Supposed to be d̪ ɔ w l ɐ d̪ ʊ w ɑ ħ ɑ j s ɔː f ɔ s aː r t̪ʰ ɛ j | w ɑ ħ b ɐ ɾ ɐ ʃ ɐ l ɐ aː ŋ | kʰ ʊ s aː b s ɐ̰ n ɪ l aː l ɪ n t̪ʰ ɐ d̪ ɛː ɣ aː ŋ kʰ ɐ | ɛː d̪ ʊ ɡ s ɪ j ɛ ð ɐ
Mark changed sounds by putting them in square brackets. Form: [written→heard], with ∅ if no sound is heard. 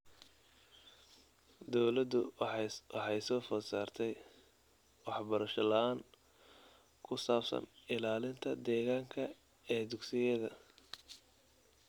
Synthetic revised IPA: d̪ ɔ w l ɐ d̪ ʊ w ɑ ħ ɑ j s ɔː f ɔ s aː r t̪ʰ ɛ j | w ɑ ħ b ɐ ɾ ɐ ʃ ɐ l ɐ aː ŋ | kʰ ʊ s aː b s ɐ̰ n ɪ l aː l ɪ n t̪ʰ ɐ d̪ ɛː ɣ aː ŋ kʰ ɐ | ɛː d̪ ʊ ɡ s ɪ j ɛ ð ɐ

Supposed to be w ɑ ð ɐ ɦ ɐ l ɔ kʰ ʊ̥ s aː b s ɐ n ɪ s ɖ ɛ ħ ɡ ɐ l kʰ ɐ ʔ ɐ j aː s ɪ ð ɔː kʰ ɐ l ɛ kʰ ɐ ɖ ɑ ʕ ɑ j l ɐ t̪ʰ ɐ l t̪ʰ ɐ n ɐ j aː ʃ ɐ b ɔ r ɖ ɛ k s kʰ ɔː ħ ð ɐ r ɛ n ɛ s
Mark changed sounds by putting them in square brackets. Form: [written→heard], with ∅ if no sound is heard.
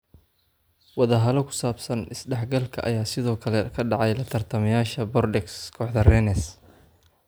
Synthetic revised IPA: w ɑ ð ɐ ɦ ɐ l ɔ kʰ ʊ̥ s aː b s ɐ n ɪ s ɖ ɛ ħ ɡ ɐ l kʰ ɐ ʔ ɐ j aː s ɪ ð ɔː kʰ ɐ l ɛ kʰ ɐ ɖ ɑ ʕ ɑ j l ɐ t̪ʰ ɐ [l→r] t̪ʰ ɐ [n→m] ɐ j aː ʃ ɐ b ɔ r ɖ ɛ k s kʰ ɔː ħ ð ɐ r ɛ n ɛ s

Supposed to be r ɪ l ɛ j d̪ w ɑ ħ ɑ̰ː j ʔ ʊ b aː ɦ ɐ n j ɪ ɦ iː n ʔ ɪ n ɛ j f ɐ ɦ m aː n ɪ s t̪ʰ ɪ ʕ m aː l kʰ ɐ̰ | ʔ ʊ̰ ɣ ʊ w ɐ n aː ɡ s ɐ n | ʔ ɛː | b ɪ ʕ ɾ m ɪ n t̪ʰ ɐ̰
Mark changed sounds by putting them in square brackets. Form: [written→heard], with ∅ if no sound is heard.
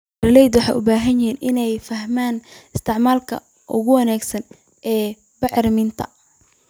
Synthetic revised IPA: r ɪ l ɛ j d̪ w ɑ ħ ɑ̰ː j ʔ ʊ b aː ɦ ɐ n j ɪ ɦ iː n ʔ ɪ n ɛ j f ɐ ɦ m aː n ɪ s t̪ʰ ɪ ʕ m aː l kʰ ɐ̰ | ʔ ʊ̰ ɣ ʊ w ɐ n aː ɡ s ɐ n | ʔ ɛː | b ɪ ʕ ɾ m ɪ n t̪ʰ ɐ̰

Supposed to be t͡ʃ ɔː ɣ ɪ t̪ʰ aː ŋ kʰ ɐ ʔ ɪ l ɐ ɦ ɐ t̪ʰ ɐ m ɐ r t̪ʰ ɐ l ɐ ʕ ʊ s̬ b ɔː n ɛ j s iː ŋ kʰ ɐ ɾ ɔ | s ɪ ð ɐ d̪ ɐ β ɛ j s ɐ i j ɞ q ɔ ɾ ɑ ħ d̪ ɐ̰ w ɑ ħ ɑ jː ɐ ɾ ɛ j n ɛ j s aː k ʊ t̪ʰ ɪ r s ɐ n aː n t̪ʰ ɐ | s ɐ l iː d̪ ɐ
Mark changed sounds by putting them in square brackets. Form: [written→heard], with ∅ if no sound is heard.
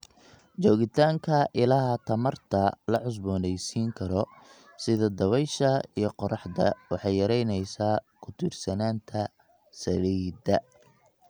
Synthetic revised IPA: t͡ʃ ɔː ɣ ɪ t̪ʰ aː ŋ kʰ ɐ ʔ ɪ l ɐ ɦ ɐ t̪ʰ ɐ m ɐ r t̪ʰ ɐ l ɐ ʕ ʊ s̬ b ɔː n ɛ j s iː ŋ kʰ ɐ ɾ ɔ | s ɪ ð ɐ d̪ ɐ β ɛ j [s→ʃ] ɐ i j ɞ q ɔ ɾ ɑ ħ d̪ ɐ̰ w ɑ ħ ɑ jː ɐ ɾ ɛ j n ɛ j s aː [k→kʰ] ʊ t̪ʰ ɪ r s ɐ n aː n t̪ʰ ɐ | s ɐ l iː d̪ ɐ

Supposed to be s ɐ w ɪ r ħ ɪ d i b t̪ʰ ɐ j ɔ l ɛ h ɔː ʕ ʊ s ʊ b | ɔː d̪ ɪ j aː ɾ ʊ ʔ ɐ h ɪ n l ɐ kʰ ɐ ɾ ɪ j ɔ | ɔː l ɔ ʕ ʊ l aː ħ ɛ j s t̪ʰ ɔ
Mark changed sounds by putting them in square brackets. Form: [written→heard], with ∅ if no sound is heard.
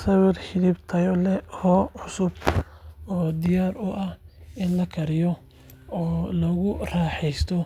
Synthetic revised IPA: s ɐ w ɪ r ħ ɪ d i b t̪ʰ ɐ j ɔ l ɛ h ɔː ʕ ʊ s ʊ b | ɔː d̪ ɪ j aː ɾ ʊ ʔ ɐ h ɪ n l ɐ kʰ ɐ ɾ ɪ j ɔ | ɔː l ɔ [ʕ→ɣ] ʊ [l→r] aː ħ ɛ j s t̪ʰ ɔ

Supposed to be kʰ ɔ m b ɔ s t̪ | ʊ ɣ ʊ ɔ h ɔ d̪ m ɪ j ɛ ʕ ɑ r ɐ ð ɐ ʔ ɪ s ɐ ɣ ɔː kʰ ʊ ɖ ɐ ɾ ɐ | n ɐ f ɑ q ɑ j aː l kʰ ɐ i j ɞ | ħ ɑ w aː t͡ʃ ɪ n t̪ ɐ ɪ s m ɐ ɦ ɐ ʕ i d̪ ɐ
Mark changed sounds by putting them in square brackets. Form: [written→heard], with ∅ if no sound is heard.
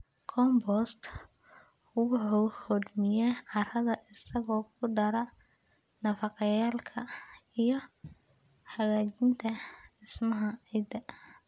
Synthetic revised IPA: kʰ ɔ m b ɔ s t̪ | ʊ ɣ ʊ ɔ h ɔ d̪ m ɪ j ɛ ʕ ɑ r ɐ ð ɐ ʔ ɪ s ɐ ɣ ɔː kʰ ʊ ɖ ɐ ɾ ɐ | n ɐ f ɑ q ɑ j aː l kʰ ɐ i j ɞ | ħ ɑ [w→ɣ] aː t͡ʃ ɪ n [t̪→t̪ʰ] ɐ ɪ s m ɐ ɦ ɐ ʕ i d̪ ɐ

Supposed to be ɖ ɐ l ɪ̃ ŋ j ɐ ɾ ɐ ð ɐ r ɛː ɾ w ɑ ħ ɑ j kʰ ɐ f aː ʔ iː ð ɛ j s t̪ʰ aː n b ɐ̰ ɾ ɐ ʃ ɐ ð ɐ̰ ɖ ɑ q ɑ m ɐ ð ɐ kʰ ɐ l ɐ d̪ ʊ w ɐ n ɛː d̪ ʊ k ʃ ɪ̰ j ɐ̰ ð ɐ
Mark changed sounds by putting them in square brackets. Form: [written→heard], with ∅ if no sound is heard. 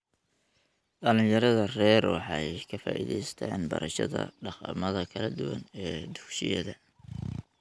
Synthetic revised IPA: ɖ ɐ l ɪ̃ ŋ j ɐ ɾ ɐ ð ɐ r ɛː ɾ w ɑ ħ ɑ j kʰ ɐ f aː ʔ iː ð ɛ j s t̪ʰ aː n b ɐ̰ ɾ ɐ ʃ ɐ ð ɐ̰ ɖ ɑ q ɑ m ɐ ð ɐ kʰ ɐ l ɐ d̪ ʊ w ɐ n ɛː d̪ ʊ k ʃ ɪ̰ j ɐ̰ ð ɐ

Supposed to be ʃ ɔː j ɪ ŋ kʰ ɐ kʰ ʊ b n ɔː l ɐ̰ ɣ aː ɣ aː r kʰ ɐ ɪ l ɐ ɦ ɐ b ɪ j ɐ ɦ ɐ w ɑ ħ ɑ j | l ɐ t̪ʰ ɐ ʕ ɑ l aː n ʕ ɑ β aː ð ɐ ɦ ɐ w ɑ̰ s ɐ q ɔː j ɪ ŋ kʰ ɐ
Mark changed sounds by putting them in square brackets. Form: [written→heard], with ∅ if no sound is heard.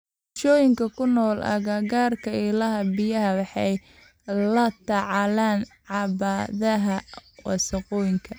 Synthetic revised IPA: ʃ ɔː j ɪ ŋ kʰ ɐ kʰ ʊ [b→∅] n ɔː l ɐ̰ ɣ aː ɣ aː r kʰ ɐ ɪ l ɐ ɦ ɐ b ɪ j ɐ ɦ ɐ w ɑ ħ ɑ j | l ɐ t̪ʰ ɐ ʕ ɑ l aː n ʕ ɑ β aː ð ɐ ɦ ɐ w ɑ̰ s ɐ q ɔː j ɪ ŋ kʰ ɐ

